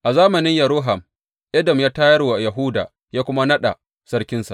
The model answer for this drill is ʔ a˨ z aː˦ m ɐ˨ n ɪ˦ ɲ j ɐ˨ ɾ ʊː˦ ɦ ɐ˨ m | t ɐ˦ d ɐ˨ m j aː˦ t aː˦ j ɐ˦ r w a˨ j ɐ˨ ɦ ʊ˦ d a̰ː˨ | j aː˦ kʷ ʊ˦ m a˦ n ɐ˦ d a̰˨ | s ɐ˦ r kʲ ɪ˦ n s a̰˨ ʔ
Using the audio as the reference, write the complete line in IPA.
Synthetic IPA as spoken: ʔ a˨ z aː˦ m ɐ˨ n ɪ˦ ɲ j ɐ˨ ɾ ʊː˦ ɦ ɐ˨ m | ʔ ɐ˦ d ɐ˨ m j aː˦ t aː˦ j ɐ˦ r w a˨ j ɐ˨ ɦ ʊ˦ d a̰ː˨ | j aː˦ kʷ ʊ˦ m a˦ n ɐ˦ ɗ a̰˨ | s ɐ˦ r kʲ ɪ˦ n s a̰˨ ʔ